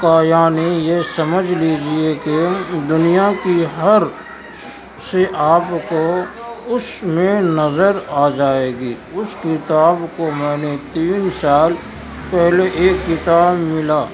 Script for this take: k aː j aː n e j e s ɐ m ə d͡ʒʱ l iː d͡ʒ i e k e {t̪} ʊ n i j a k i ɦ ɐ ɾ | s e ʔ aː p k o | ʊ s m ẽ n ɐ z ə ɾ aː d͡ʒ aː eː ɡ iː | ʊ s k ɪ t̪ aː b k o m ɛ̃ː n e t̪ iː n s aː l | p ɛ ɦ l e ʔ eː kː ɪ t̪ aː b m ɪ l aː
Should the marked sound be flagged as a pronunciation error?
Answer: yes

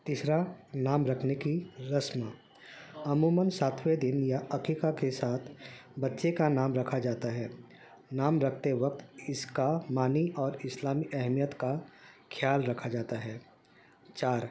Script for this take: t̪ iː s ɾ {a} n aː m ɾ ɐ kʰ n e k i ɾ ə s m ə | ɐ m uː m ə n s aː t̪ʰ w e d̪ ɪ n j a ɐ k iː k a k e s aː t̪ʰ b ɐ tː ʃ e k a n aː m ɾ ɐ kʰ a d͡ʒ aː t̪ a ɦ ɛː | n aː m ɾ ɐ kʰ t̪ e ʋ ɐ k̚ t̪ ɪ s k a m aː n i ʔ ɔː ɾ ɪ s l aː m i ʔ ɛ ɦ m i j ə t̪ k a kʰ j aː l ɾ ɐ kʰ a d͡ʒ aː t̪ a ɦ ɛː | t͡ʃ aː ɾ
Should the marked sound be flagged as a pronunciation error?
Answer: no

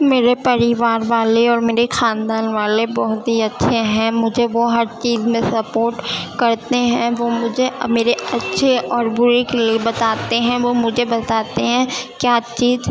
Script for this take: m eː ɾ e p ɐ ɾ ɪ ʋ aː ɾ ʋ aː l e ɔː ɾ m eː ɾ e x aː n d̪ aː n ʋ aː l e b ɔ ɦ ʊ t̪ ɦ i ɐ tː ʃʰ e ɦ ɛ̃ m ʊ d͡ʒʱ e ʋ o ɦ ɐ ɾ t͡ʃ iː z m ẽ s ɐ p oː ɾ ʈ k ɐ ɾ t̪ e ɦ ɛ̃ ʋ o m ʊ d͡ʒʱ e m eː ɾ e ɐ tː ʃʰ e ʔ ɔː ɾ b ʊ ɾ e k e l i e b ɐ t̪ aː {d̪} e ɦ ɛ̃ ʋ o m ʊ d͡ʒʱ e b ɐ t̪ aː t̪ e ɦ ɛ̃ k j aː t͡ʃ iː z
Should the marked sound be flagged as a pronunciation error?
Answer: yes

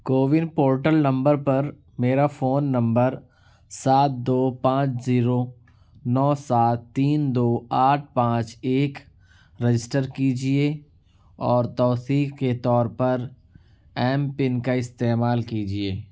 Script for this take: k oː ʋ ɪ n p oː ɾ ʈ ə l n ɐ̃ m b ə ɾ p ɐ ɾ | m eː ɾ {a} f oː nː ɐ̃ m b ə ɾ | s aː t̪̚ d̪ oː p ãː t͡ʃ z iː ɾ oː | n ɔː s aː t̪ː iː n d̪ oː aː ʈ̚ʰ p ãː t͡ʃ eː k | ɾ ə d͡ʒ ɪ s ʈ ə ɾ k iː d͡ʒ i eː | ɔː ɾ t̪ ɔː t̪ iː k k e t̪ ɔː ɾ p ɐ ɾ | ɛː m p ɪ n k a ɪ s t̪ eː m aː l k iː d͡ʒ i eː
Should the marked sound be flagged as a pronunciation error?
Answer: no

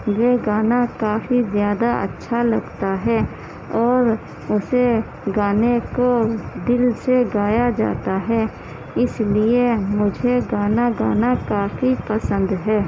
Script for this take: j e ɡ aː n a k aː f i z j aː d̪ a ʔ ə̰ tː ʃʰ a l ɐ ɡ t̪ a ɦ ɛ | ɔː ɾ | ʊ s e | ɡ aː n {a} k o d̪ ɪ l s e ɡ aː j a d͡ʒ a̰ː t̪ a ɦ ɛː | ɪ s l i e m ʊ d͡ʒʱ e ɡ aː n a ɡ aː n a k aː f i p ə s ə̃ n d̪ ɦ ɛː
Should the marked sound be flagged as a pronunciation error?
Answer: yes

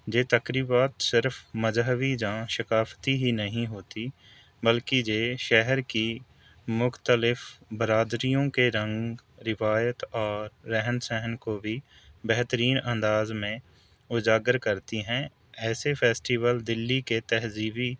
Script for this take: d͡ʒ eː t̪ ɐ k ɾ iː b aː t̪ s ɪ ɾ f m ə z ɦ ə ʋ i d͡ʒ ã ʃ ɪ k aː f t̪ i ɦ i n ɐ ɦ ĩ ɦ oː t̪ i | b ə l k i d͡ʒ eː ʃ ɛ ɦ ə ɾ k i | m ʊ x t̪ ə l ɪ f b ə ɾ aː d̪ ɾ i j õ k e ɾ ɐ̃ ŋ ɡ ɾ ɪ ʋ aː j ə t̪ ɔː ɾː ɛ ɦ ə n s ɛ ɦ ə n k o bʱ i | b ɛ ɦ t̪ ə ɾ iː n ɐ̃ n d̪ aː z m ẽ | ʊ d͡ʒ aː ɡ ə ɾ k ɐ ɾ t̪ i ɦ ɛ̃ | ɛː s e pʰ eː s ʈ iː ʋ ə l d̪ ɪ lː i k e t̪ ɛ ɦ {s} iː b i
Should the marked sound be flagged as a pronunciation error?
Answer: yes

